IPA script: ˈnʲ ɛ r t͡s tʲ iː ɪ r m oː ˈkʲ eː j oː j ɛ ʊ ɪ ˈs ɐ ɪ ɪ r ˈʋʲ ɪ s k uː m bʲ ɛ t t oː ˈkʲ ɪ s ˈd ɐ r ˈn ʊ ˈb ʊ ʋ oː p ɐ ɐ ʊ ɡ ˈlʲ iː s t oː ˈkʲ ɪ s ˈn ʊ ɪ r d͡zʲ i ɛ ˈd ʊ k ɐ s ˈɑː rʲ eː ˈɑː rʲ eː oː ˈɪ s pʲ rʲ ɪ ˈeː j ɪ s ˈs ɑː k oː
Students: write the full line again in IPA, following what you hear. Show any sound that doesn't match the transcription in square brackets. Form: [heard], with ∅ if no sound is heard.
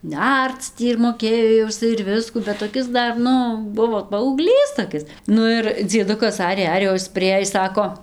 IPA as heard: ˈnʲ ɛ r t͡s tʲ iː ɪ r m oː ˈkʲ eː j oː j ɛ ʊ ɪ ˈs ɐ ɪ ɪ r ˈʋʲ ɪ s k uː [∅] bʲ ɛ t t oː ˈkʲ ɪ s ˈd ɐ r ˈn ʊ ˈb ʊ ʋ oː p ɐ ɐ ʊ ɡ ˈlʲ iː s t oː ˈkʲ ɪ s ˈn ʊ ɪ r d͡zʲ i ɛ ˈd ʊ k ɐ s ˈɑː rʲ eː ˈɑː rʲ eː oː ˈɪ s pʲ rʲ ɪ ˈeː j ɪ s ˈs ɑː k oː